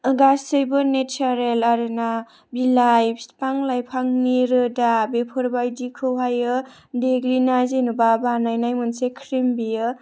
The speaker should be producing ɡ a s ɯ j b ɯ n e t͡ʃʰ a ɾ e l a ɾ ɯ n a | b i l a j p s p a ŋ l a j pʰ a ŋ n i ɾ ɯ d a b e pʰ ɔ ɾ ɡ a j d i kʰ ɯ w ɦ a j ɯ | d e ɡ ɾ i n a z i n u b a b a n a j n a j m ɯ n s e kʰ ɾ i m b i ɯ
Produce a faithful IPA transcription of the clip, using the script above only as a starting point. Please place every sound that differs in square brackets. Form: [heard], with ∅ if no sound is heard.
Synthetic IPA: ɡ a s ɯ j b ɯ n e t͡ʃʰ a ɾ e l a ɾ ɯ n a | b i l a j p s p a ŋ l a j pʰ a ŋ n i ɾ ɯ d a b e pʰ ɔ ɾ [b] a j d i kʰ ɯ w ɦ a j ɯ | d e ɡ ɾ i n a z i n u b a b a n a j n a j m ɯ n s e kʰ ɾ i m b i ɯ